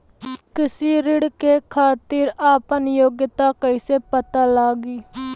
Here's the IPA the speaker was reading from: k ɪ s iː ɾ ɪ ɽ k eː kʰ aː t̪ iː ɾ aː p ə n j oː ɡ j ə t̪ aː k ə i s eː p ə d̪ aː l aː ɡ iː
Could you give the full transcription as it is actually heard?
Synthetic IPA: k ɪ s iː ɾ ɪ ɽ k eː kʰ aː t̪ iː ɾ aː p ə n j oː ɡ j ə t̪ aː k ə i s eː p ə t̪ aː l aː ɡ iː

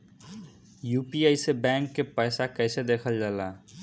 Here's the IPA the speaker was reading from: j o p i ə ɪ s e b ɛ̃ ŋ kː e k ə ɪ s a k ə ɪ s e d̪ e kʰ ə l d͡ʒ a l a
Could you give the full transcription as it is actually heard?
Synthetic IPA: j u p i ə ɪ s e b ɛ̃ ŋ kː e p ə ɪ s a k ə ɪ s e d̪ e kʰ ə l d͡ʒ a l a

